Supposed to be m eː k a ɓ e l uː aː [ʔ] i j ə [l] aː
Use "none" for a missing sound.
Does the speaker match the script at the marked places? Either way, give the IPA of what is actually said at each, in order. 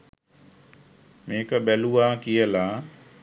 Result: k, l

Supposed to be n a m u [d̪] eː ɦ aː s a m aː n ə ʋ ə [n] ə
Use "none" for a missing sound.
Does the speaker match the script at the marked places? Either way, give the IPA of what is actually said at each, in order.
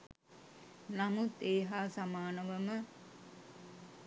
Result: t̪, m

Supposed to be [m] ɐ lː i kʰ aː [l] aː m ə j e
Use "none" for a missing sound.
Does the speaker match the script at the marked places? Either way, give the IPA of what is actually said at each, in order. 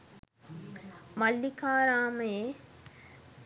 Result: m, ɾ

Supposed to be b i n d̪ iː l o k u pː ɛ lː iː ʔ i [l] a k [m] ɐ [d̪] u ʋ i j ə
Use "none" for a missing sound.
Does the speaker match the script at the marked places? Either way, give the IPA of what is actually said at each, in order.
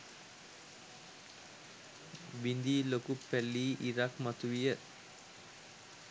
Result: ɾ, m, t̪

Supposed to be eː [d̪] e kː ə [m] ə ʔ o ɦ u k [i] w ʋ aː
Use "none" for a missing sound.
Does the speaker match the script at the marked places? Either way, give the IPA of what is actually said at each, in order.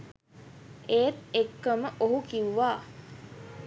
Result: t̪, m, i

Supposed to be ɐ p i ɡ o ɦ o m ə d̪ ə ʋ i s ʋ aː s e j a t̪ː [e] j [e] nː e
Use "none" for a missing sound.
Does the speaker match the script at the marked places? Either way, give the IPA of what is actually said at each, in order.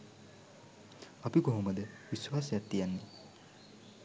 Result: i, a

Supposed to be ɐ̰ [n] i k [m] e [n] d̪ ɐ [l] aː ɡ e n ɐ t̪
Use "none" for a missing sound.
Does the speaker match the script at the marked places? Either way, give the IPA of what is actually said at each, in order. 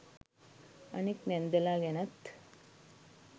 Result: n, n, n, l

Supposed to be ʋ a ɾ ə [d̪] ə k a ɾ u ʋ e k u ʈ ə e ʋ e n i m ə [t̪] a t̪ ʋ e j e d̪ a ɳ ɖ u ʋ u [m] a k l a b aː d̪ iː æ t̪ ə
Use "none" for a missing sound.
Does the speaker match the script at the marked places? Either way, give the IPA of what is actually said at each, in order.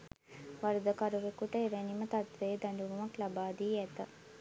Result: d̪, t̪, m

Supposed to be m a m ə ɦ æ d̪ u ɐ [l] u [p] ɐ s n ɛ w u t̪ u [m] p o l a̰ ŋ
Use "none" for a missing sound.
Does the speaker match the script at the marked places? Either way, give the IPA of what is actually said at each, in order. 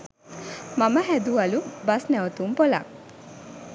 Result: l, b, m

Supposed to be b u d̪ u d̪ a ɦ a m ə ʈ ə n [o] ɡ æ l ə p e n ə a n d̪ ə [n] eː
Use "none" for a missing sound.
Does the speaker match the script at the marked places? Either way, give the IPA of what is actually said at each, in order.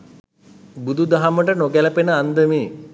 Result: o, m

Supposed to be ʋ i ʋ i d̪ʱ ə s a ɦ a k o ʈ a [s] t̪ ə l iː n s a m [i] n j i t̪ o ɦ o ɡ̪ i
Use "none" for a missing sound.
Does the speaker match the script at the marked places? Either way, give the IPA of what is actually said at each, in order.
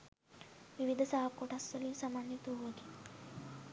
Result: s, a

